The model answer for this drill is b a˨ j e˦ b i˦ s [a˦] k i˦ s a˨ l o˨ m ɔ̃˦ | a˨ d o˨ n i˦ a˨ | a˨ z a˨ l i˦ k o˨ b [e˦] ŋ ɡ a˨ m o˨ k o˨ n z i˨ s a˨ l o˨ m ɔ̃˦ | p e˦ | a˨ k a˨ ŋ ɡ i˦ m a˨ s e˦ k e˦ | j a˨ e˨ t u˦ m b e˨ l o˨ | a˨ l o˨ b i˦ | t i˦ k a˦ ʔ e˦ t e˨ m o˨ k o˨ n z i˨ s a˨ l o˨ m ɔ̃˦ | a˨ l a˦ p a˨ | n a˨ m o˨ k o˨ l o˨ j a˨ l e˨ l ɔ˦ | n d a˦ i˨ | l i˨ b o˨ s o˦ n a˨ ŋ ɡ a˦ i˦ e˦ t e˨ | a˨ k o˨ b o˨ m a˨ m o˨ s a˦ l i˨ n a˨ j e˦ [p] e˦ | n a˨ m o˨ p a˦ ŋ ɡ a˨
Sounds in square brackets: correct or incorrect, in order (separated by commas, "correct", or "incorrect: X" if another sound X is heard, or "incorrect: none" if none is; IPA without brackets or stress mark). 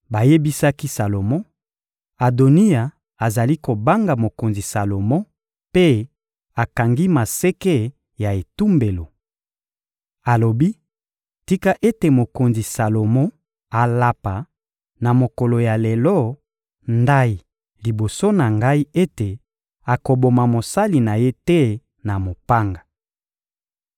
correct, incorrect: a˦, incorrect: t